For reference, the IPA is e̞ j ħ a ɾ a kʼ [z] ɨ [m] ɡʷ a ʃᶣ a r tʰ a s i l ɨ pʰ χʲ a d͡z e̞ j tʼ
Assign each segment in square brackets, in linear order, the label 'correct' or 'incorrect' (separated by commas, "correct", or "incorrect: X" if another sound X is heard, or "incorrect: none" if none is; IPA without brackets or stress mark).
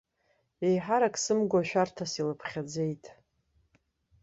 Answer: incorrect: s, correct